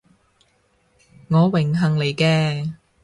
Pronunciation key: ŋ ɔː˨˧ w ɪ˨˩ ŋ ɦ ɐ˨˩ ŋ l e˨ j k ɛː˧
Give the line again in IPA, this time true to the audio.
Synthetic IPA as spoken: ŋ ɔː˨˧ w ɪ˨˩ ŋ ɦ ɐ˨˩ ŋ l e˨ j k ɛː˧